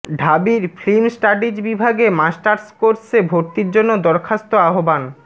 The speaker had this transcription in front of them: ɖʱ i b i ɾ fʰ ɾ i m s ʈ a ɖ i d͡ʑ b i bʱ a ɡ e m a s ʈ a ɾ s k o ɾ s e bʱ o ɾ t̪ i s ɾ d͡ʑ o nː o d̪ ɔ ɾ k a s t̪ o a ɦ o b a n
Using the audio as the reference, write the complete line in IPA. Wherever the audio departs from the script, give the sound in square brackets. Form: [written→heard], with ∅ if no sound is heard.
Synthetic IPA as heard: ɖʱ [i→a] b i ɾ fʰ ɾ i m s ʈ a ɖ i d͡ʑ b i bʱ a ɡ e m a s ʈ a ɾ s k o ɾ s e bʱ o ɾ t̪ i [s→∅] ɾ d͡ʑ o nː o d̪ ɔ ɾ [k→kʰ] a s t̪ o a ɦ o b a n